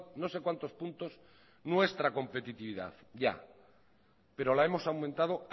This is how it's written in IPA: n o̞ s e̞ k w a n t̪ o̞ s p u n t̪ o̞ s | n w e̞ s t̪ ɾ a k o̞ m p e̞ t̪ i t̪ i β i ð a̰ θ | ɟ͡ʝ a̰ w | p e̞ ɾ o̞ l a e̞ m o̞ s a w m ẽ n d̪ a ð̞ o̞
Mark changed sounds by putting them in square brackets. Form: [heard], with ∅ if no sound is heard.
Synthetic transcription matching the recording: n o̞ s e̞ k w a n t̪ o̞ s p u n t̪ o̞ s | n w e̞ s t̪ ɾ a k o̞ m p e̞ t̪ i t̪ i β i ð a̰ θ | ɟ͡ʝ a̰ [∅] | p e̞ ɾ o̞ l a e̞ m o̞ s a w m ẽ n [t̪] a ð̞ o̞

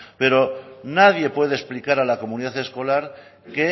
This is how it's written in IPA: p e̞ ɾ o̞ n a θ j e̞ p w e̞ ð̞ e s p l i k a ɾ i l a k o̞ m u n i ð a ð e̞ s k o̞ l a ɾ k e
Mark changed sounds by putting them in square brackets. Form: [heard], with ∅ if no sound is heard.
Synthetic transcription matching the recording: p e̞ ɾ o̞ n a [ð] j e̞ p w e̞ ð̞ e s p l i k a ɾ [a] l a k o̞ m u n i ð a [θ] e̞ s k o̞ l a ɾ k e

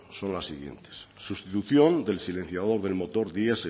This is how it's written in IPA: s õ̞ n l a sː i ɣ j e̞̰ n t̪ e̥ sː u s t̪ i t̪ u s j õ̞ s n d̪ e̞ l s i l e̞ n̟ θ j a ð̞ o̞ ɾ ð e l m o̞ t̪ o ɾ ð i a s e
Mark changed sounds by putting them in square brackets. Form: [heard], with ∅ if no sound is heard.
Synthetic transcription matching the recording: s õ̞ n l a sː i ɣ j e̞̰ n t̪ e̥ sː u s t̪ i t̪ u [θ] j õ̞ [∅] n d̪ e̞ l s i l e̞ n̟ θ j a ð̞ o̞ ɾ ð e l m o̞ t̪ o ɾ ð i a s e

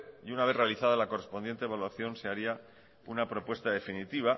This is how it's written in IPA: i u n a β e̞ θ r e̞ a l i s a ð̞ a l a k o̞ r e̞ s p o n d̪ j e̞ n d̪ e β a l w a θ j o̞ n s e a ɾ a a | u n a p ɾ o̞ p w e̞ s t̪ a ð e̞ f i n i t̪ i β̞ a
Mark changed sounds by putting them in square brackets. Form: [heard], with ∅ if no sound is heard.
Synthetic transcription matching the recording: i u n a β e̞ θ r e̞ a l i [θ] a ð̞ a l a k o̞ r e̞ s p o n d̪ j e̞ n [t̪] e β a l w a θ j o̞ n s e a ɾ [i] a | u n a p ɾ o̞ p w e̞ s t̪ a ð e̞ f i n i t̪ i β̞ a

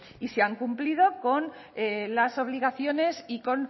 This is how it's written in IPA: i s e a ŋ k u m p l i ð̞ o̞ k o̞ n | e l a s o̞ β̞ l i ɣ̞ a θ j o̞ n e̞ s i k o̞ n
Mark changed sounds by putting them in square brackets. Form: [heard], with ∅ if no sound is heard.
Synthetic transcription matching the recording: i s e a ŋ k u m p l i ð̞ o̞ k o̞ n | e l a s o̞ β̞ l i ɣ̞ a θ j o̞ n e̞ s i k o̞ n

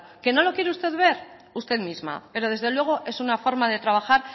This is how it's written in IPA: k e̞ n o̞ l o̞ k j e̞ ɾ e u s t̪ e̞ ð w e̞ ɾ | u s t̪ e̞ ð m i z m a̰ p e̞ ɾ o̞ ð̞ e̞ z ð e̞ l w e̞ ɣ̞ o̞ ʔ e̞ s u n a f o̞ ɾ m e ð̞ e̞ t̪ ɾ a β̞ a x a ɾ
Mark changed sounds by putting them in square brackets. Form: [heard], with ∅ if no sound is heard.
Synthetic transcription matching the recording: k e̞ n o̞ l o̞ k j e̞ ɾ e u s t̪ e̞ ð [β] e̞ ɾ | u s t̪ e̞ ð m i z m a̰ p e̞ ɾ o̞ ð̞ e̞ z ð e̞ l w e̞ ɣ̞ o̞ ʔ e̞ s u n a f o̞ ɾ m [a] ð̞ e̞ t̪ ɾ a β̞ a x a ɾ

